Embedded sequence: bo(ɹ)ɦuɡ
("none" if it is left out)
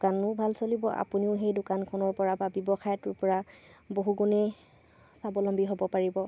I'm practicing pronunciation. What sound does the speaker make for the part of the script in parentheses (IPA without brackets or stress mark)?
none